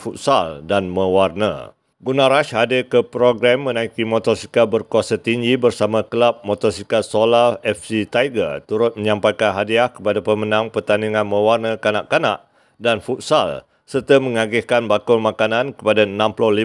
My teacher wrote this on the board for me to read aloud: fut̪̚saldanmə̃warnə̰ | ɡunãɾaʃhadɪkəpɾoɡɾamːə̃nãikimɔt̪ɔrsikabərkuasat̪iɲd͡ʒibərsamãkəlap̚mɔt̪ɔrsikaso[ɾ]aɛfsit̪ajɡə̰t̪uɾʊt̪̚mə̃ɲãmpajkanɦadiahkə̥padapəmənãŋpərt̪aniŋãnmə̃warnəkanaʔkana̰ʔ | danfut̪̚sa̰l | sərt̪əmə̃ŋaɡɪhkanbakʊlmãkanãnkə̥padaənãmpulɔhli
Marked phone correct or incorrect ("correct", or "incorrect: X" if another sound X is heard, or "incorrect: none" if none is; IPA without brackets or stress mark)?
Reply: incorrect: l